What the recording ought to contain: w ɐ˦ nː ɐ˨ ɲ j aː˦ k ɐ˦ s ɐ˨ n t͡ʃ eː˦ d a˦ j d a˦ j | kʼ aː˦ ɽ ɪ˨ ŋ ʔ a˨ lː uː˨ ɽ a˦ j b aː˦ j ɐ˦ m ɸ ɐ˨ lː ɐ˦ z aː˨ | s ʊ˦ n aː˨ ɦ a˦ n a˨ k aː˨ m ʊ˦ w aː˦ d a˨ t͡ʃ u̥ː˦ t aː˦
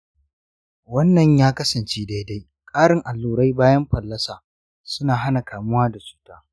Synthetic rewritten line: w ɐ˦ nː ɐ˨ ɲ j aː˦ k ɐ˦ s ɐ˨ n t͡ʃ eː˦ d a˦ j d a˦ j | kʼ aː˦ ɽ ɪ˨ ŋ ʔ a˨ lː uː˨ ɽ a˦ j b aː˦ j ɐ˦ m ɸ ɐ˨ lː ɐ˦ s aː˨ | s ʊ˦ n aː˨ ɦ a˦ n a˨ k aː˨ m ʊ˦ w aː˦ d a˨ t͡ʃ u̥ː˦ t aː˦

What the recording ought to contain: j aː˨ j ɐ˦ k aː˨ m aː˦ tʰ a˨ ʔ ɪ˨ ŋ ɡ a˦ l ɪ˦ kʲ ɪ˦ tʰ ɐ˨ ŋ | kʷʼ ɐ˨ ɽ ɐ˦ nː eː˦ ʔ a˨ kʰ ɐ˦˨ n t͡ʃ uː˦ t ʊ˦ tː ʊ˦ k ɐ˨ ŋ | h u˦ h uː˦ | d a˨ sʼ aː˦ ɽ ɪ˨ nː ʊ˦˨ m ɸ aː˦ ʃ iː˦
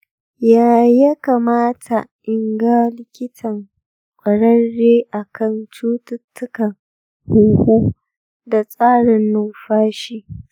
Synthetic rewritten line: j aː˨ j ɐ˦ k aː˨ m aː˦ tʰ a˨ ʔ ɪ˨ ŋ ɡ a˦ l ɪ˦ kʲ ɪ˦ tʰ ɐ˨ ŋ | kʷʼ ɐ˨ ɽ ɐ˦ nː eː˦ ʔ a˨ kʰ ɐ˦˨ n t͡ʃ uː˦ t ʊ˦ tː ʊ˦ k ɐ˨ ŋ | h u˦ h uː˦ | d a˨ sʼ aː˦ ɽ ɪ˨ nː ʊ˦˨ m ɸ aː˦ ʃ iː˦

